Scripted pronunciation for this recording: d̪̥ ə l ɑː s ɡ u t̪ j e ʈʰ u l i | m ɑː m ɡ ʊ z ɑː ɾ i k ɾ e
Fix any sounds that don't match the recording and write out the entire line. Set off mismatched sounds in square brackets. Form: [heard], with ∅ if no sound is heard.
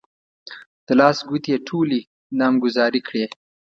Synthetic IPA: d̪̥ ə l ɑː s ɡ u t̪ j e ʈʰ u l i | [n] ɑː m ɡ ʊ z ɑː ɾ i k [ɽ] e